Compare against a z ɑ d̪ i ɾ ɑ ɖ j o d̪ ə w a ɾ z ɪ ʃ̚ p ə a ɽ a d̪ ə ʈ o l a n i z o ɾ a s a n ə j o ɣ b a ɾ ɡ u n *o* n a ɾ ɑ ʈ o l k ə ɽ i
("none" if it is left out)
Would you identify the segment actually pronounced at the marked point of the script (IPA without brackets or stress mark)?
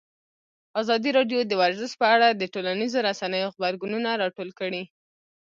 u